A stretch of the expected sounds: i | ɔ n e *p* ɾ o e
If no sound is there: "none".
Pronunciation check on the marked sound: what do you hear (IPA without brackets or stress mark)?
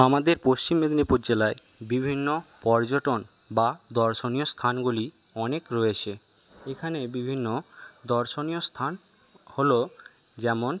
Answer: k